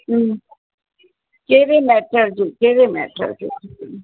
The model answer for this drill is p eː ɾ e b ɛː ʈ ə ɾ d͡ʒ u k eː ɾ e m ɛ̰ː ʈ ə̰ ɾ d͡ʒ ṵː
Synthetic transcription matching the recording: k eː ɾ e m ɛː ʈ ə ɾ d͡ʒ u k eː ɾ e m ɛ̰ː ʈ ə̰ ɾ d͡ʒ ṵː